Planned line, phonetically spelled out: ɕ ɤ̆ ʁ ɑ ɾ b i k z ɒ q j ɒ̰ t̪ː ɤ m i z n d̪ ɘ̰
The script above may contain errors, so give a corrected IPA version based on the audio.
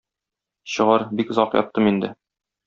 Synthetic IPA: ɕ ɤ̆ ʁ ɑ ɾ b i k z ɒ q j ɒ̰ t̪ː ɤ m i n d̪ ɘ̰